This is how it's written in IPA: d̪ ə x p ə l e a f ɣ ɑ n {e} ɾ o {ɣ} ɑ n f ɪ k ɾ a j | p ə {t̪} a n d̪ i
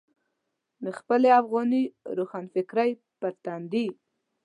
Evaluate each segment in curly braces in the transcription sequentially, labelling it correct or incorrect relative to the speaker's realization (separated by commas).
incorrect, incorrect, correct